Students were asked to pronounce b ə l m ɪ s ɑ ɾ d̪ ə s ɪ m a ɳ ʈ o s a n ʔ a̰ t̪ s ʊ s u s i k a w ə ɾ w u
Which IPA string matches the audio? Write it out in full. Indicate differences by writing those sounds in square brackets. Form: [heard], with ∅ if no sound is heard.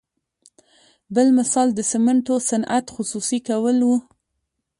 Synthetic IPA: b ə l m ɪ s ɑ [l] d̪ ə s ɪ m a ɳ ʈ o s a n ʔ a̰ t̪ [x] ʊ s u s i k a w ə [l] w u